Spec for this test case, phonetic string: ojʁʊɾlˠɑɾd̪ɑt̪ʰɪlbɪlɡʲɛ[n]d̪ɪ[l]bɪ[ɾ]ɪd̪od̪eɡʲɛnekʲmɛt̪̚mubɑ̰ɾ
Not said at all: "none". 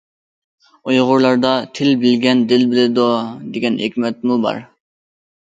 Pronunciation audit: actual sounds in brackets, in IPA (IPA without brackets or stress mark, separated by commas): n, l, l